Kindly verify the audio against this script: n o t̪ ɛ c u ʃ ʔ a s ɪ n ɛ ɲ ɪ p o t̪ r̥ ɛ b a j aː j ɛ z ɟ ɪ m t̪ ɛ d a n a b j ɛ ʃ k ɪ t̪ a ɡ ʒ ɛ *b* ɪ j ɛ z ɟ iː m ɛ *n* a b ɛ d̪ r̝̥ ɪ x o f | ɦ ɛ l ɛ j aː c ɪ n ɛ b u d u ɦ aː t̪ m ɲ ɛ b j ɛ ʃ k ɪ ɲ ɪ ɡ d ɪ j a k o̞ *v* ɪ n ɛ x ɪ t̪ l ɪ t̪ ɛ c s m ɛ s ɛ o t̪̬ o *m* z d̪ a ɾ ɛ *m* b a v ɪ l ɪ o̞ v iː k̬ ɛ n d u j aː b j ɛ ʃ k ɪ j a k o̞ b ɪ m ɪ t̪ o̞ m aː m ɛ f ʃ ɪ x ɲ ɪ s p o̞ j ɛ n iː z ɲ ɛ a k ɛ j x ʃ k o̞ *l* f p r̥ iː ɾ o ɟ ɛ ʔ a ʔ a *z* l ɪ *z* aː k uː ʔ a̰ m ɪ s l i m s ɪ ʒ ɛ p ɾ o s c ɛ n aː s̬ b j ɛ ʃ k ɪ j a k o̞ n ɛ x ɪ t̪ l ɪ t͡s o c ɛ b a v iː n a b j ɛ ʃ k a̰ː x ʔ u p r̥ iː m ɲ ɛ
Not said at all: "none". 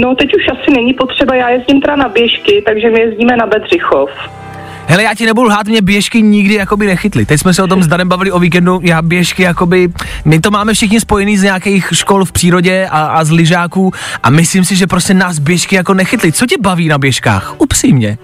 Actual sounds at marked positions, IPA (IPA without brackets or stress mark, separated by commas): m, n, b, m, m, l, z, ʒ